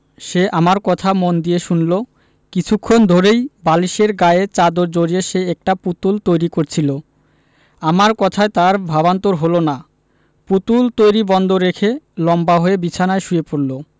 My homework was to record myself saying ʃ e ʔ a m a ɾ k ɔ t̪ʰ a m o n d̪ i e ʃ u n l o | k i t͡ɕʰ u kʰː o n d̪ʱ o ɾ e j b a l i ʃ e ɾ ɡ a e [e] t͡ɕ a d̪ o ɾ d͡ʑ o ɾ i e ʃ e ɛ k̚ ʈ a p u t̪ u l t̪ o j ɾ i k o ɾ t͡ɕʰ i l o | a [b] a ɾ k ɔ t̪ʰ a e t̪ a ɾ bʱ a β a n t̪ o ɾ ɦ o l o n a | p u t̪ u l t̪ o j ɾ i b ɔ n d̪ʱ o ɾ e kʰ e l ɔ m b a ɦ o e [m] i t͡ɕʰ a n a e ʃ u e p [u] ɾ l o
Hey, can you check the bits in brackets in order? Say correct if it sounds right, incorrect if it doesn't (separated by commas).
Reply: correct, incorrect, incorrect, incorrect